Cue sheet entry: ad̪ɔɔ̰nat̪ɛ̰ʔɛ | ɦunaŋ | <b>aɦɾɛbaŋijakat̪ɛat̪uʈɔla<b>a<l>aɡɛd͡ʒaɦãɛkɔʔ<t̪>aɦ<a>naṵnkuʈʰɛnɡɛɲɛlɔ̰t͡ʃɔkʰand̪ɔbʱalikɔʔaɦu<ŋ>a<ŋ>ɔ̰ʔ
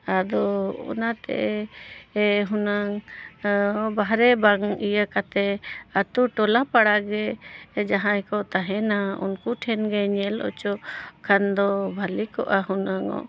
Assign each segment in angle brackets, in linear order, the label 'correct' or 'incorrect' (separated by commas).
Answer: correct, incorrect, incorrect, correct, incorrect, incorrect, correct